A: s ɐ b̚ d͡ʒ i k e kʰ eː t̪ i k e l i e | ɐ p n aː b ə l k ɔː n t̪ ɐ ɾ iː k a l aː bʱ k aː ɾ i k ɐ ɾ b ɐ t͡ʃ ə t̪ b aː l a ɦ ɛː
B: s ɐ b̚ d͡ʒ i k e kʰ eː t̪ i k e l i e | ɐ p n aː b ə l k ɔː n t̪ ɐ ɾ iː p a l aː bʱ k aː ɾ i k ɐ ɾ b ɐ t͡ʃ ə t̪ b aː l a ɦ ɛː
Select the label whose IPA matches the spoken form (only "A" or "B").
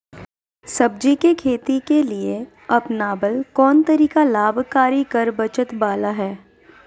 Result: A